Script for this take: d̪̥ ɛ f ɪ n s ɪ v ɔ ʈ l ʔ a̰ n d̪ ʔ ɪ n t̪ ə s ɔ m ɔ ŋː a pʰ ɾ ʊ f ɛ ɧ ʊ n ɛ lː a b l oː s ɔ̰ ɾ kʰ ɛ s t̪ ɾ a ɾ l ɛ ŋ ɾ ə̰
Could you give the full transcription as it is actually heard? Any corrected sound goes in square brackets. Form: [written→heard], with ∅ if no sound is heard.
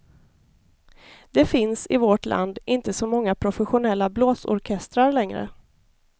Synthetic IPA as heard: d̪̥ ɛ f ɪ n s ɪ v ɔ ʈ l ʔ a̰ n d̪ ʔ ɪ n t̪ ə s ɔ m ɔ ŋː a pʰ ɾ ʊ f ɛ ɧ ʊ n ɛ lː a b l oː s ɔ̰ ɾ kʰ ɛ s t̪ ɾ a ɾ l ɛ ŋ ɾ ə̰